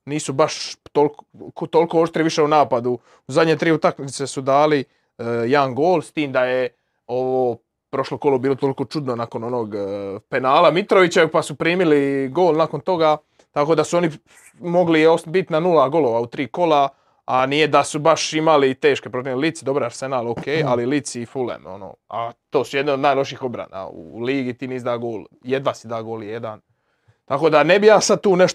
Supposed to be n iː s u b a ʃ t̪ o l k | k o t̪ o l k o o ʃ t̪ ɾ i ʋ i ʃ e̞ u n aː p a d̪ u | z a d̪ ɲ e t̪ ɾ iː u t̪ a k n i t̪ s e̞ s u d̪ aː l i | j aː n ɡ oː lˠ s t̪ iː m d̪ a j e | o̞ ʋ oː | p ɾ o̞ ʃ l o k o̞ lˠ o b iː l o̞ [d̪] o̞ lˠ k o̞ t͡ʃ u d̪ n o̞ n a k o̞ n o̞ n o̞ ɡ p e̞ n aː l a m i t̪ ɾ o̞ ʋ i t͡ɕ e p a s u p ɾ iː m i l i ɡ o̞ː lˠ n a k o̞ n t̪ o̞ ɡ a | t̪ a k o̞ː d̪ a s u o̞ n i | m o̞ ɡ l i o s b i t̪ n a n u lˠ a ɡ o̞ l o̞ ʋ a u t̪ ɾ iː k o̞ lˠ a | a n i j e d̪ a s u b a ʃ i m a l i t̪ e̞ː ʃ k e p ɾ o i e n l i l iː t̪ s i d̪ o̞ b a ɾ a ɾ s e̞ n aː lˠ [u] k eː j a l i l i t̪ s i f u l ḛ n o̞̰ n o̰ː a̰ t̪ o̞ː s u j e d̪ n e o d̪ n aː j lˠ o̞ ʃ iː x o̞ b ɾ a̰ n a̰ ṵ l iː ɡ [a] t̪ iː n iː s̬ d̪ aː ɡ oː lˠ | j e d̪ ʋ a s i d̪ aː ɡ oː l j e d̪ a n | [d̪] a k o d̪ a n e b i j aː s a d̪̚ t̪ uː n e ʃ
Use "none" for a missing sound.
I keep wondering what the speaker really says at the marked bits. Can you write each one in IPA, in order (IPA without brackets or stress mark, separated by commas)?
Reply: t̪, o, i, t̪